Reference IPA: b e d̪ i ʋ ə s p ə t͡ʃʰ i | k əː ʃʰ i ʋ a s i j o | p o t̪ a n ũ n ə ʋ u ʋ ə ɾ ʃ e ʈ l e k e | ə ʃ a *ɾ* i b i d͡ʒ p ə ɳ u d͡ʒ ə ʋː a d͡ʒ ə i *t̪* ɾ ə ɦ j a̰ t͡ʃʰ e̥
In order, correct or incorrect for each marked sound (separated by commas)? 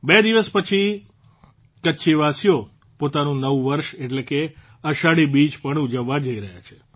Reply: incorrect, incorrect